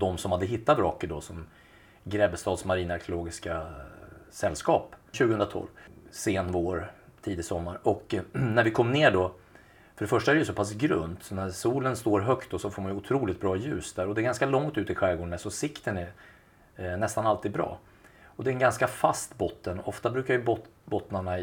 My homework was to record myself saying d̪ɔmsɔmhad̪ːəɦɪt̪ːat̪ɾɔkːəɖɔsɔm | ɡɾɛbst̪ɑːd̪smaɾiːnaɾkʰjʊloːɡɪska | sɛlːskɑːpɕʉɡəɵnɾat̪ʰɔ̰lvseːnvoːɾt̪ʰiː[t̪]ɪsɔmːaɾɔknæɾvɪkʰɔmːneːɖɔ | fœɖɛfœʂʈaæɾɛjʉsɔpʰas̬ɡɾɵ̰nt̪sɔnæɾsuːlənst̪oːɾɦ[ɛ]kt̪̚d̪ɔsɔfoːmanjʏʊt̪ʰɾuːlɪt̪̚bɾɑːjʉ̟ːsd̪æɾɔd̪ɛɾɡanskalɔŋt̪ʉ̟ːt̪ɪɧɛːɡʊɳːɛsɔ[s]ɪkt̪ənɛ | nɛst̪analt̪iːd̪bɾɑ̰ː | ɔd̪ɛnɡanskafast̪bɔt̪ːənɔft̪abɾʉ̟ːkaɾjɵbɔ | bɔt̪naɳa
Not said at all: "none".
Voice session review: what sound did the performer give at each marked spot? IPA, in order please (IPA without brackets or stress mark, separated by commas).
d̪, œ, s